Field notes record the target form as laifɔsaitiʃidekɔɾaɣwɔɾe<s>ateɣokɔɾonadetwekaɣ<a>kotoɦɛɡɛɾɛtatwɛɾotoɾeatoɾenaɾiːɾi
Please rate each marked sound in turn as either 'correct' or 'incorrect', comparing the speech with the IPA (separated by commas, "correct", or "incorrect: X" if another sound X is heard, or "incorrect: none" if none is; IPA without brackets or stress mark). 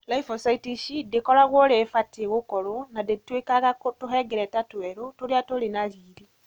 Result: incorrect: f, correct